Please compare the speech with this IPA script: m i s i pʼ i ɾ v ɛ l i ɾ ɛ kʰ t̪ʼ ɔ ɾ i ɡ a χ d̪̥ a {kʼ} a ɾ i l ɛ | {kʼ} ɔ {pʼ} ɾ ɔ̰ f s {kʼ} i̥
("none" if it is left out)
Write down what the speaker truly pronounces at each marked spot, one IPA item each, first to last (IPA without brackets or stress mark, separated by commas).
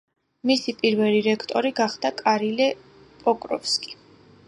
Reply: kʼ, pʼ, kʼ, kʼ